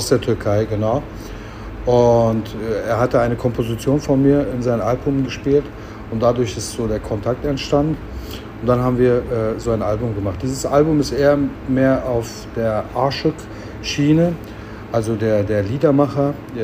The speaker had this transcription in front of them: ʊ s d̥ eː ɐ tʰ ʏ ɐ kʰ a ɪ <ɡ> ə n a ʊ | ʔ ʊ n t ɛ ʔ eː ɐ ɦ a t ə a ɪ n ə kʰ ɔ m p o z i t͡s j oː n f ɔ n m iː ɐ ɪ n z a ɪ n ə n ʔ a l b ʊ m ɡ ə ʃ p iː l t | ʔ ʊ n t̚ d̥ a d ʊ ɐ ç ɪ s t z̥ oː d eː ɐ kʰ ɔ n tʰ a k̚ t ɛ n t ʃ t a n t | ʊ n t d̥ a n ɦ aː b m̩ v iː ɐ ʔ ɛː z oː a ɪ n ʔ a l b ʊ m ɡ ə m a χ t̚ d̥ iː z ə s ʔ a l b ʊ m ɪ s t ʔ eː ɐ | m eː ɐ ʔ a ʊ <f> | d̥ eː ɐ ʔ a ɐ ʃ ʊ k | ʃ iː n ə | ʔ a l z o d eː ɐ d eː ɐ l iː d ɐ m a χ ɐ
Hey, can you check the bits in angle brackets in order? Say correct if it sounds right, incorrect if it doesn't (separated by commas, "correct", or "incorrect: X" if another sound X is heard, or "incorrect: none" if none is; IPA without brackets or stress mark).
correct, correct